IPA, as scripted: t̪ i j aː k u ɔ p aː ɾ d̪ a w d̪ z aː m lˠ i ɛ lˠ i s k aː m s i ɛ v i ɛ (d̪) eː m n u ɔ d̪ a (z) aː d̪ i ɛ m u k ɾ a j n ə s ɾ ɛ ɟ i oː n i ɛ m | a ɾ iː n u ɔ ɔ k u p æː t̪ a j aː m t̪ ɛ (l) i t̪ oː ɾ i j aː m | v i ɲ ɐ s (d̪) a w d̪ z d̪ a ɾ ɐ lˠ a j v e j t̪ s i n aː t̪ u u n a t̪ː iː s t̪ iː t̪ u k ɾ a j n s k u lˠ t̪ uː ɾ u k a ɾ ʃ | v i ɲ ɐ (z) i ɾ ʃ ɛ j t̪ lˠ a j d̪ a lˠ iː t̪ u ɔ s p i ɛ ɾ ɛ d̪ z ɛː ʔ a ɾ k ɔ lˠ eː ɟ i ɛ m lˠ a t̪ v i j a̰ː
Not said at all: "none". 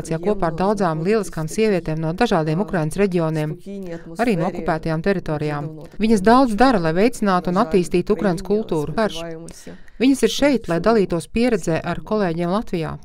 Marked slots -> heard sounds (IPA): t̪, ʒ, ɾ, d̪, s

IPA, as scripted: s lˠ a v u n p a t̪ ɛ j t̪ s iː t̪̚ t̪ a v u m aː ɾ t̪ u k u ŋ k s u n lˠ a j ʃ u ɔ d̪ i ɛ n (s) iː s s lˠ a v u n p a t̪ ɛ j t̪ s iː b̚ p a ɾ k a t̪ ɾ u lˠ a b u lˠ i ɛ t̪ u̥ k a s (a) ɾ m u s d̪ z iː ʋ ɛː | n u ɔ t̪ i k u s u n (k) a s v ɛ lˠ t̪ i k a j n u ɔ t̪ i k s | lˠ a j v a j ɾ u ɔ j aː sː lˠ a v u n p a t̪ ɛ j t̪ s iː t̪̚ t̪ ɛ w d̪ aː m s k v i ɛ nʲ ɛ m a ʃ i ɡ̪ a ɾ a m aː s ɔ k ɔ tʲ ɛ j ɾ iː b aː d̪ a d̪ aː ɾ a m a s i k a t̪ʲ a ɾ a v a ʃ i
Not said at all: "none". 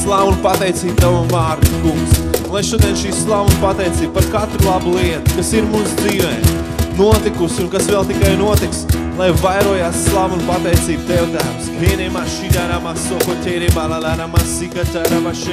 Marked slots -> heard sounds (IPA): ʃ, i, k

